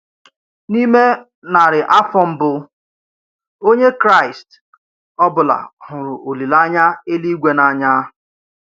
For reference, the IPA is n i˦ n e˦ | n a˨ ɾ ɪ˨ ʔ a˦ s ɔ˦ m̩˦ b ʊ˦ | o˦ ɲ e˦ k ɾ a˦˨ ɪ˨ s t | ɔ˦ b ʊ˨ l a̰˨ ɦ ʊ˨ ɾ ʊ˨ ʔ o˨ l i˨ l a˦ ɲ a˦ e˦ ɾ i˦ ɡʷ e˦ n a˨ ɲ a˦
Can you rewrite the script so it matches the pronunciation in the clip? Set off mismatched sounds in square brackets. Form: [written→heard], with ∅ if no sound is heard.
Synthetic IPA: n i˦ [n→m] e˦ | n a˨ ɾ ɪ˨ ʔ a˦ [s→f] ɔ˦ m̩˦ b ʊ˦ | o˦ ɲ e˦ k ɾ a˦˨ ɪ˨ s t | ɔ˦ b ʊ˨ l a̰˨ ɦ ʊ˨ ɾ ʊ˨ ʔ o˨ l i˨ l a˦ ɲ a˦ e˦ [ɾ→l] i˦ ɡʷ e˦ n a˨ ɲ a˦